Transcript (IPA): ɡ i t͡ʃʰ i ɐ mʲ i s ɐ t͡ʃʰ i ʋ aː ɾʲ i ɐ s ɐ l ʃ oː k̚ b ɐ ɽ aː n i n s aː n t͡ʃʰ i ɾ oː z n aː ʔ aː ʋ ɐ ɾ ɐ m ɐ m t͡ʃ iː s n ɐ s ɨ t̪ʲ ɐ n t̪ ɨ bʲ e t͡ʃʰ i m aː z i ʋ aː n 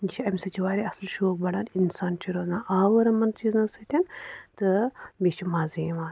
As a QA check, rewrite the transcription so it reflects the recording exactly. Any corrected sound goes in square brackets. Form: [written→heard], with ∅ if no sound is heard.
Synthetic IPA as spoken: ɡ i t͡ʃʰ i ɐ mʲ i s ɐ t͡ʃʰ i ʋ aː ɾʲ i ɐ s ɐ l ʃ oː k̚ b ɐ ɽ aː n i n s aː n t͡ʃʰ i ɾ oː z n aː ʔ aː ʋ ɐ ɾ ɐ m ɐ [m→n] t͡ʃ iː [s→z] n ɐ s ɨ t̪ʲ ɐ n t̪ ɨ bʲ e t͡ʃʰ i m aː z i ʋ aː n